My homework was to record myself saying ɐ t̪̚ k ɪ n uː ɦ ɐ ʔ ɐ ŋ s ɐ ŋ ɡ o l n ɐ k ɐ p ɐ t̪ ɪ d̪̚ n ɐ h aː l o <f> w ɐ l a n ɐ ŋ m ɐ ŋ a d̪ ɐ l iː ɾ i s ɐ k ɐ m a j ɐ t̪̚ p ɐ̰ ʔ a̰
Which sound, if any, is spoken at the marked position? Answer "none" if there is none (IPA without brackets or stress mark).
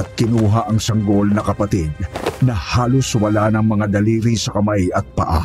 s